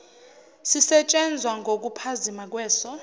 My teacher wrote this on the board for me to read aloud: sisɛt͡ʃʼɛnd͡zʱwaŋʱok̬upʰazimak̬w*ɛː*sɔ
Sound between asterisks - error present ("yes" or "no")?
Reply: no